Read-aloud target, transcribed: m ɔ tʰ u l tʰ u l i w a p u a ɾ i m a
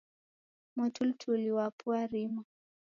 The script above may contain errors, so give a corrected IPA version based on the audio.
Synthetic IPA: m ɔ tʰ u l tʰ u l i w a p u a ɾ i m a